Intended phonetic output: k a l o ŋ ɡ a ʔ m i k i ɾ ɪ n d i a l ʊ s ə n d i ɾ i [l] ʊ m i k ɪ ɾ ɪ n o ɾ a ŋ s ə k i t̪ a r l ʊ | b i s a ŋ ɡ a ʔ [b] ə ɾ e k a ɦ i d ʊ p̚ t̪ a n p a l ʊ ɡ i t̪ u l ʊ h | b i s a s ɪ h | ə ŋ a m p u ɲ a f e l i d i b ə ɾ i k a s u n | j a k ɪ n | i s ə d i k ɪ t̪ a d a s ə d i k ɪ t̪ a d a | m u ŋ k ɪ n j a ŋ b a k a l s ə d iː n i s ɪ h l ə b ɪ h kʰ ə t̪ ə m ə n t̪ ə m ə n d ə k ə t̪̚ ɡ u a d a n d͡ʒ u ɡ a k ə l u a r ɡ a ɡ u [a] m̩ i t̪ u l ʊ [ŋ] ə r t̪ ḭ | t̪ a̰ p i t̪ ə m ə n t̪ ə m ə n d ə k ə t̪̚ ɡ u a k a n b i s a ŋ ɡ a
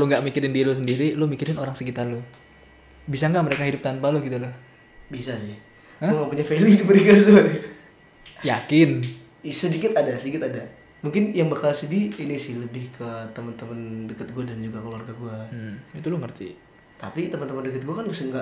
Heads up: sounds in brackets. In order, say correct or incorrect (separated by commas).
correct, incorrect, correct, correct